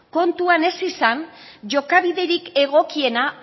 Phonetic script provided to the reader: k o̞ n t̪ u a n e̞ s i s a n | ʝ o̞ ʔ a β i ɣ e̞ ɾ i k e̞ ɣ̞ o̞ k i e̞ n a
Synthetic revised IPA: k o̞ n t̪ u a n e̞ s i s a n | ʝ o̞ k a β i ð e̞ ɾ i k e̞ ɣ̞ o̞ k i e̞ n a